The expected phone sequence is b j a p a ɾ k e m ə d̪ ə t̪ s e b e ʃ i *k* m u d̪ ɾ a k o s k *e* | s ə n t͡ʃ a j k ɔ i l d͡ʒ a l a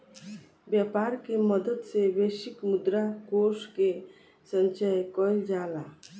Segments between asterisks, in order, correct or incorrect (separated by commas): correct, correct